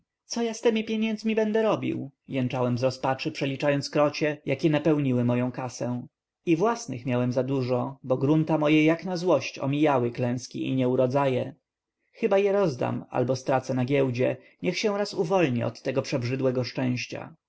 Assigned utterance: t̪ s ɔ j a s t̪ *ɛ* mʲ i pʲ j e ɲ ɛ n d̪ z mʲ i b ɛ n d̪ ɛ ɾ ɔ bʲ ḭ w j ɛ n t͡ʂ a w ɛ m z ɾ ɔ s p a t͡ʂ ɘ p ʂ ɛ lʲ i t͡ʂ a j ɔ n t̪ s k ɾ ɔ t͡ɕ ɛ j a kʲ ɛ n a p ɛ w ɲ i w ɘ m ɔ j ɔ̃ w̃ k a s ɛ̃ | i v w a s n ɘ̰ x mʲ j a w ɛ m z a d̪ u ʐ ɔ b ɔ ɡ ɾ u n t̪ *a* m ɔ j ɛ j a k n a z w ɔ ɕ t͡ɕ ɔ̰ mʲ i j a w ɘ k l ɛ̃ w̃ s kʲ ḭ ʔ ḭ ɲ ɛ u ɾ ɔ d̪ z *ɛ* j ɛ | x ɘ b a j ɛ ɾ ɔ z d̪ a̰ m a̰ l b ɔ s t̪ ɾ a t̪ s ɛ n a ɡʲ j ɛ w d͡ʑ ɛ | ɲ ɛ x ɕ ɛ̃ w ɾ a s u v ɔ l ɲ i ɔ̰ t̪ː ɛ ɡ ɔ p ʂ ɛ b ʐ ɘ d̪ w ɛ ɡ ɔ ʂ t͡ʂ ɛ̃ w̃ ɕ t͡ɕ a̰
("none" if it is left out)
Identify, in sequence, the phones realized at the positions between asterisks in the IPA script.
ɛ, a, a

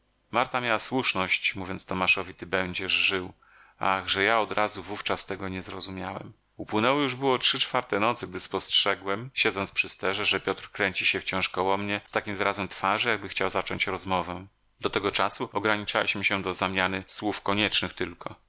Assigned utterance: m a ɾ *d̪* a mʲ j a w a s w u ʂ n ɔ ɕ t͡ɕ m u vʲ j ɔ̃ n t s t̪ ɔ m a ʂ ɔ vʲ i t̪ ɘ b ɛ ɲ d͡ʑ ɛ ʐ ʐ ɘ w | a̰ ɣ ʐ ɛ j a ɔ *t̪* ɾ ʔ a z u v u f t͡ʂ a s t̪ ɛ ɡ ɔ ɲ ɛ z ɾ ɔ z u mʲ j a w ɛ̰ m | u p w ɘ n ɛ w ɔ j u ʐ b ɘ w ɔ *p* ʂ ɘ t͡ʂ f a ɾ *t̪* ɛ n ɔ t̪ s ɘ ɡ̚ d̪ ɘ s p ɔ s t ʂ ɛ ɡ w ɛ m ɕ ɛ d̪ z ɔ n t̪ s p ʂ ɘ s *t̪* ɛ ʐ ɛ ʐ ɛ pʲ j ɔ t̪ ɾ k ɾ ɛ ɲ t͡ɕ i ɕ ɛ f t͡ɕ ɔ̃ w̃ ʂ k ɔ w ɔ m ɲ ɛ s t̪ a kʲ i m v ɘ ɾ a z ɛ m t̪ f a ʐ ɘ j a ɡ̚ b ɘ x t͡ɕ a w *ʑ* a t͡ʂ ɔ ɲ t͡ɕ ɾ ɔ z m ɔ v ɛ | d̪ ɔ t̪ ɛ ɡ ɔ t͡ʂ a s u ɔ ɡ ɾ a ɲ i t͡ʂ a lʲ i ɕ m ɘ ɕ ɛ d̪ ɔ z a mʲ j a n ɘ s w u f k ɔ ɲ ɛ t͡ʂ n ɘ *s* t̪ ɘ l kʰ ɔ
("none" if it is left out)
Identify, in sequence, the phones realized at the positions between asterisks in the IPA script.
t̪, d̪, t, t̪, t̪, z, x

